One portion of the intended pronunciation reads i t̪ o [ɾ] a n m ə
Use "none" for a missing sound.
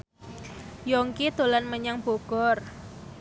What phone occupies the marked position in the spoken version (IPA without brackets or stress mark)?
l